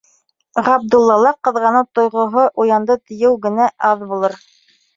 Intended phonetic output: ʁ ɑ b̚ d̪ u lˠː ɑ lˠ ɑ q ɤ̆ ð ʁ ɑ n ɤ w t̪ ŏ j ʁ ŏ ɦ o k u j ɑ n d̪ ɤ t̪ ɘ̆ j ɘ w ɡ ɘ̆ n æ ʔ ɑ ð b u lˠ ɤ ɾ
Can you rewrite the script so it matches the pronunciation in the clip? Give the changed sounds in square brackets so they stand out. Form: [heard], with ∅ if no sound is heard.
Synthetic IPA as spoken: ʁ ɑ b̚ d̪ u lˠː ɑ lˠ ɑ q ɤ̆ ð ʁ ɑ n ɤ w t̪ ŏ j ʁ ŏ ɦ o [ʔ] u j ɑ n d̪ ɤ t̪ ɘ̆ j ɘ w ɡ ɘ̆ n æ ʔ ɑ ð b u lˠ ɤ ɾ